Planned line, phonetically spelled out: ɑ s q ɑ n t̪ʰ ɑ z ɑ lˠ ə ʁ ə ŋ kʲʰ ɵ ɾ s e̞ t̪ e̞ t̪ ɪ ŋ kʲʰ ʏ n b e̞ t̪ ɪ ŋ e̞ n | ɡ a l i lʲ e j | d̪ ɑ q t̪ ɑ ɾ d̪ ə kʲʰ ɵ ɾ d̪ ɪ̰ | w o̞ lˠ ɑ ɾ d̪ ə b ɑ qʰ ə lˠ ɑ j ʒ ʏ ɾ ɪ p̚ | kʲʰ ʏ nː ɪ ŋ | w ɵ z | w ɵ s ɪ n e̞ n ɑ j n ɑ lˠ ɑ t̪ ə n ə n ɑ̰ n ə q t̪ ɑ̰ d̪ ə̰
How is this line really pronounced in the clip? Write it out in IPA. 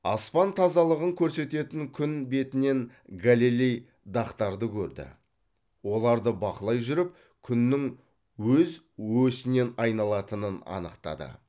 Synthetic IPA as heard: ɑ s p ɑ n t̪ʰ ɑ z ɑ lˠ ə ʁ ə ŋ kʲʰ ɵ ɾ s e̞ t̪ e̞ t̪ ɪ ŋ kʲʰ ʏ n b e̞ t̪ ɪ n e̞ n | ɡ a l i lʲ e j | d̪ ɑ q t̪ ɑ ɾ d̪ ə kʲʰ ɵ ɾ d̪ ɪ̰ | w o̞ lˠ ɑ ɾ d̪ ə b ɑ q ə lˠ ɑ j ʒ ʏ ɾ ɪ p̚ | kʲʰ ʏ nː ɪ ŋ | w ɵ z | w ɵ s ɪ n e̞ n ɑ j n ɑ lˠ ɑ t̪ ə n ə n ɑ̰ n ə q t̪ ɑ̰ d̪ ə̰